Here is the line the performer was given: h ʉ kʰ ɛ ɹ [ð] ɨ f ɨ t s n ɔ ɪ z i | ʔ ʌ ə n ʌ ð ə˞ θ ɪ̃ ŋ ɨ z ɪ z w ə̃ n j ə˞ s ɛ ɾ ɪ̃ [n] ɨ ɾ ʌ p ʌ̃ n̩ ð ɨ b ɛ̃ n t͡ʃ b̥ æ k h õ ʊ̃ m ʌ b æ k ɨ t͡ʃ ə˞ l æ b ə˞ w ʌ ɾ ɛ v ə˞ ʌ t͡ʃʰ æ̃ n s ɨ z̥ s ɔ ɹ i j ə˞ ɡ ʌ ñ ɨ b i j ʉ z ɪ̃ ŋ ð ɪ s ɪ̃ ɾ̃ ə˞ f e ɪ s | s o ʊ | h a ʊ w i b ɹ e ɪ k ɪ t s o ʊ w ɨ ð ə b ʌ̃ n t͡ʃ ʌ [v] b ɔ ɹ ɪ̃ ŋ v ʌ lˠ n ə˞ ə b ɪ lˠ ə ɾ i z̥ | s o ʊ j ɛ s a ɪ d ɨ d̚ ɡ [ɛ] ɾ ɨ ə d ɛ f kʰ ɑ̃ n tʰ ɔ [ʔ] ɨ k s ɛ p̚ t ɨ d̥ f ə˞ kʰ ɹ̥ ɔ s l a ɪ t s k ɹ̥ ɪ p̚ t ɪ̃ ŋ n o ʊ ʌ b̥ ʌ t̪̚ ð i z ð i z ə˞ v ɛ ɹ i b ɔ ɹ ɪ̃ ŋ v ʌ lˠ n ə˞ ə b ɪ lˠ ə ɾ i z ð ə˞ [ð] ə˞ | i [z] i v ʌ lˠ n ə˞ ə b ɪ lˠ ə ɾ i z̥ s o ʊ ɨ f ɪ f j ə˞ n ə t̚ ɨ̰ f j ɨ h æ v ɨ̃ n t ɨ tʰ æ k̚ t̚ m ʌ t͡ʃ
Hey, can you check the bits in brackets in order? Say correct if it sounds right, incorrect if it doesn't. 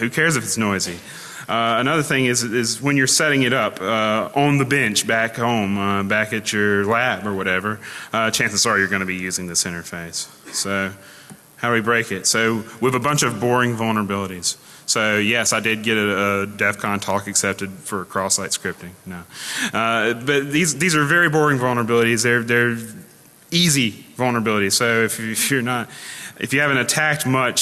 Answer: incorrect: z, incorrect: ŋ, correct, correct, incorrect: k, correct, correct

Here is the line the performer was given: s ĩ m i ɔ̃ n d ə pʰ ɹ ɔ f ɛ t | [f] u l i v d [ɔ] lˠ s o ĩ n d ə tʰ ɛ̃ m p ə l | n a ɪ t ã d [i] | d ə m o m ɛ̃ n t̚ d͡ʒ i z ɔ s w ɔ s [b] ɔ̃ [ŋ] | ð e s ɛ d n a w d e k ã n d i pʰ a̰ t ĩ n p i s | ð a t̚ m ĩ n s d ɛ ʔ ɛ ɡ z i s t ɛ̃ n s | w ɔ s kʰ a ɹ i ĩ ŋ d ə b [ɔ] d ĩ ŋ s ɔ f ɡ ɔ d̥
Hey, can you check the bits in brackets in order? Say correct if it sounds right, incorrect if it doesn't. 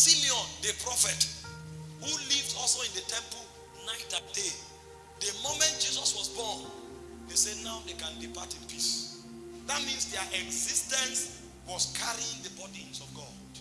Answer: incorrect: h, correct, incorrect: e, correct, incorrect: n, correct

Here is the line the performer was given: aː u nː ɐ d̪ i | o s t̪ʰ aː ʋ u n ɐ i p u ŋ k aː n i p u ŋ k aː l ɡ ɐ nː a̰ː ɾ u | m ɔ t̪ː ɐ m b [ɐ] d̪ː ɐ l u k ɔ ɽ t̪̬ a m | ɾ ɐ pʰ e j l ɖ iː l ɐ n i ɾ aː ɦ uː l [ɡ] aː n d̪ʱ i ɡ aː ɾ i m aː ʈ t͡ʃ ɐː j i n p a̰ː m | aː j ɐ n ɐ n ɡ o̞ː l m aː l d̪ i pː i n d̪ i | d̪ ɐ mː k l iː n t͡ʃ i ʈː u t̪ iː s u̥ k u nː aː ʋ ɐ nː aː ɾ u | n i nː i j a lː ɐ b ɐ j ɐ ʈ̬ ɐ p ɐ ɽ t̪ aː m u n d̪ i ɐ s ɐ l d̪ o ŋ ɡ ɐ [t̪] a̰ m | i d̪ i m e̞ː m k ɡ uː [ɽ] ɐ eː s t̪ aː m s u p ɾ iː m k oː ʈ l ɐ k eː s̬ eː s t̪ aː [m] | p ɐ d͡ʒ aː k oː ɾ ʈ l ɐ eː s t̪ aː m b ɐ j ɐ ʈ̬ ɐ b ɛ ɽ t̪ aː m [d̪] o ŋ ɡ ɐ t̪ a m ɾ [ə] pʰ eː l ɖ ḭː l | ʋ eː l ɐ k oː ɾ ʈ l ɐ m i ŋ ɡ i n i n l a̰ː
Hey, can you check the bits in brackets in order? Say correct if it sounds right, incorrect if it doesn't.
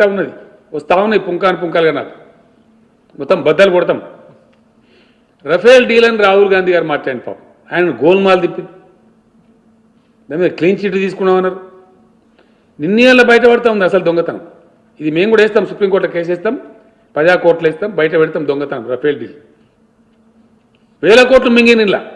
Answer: correct, correct, correct, correct, correct, correct, incorrect: ɐ

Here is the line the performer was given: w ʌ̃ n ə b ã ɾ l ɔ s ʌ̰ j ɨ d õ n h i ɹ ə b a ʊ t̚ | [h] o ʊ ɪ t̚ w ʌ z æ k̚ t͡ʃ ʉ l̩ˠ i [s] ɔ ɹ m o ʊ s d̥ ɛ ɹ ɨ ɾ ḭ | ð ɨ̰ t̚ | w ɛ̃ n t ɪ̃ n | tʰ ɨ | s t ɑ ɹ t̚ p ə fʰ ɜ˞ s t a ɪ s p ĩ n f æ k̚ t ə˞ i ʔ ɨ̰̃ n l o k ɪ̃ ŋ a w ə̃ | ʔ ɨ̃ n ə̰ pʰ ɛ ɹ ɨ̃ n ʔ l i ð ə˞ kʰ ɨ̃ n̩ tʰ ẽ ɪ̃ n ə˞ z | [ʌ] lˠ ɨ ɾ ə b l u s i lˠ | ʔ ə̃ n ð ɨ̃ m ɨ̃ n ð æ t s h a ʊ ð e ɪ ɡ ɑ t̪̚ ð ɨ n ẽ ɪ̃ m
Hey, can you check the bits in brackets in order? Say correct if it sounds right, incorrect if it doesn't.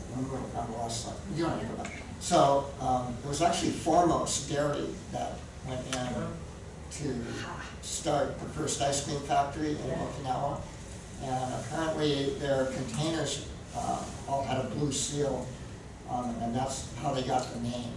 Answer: incorrect: s, incorrect: f, incorrect: ɔ

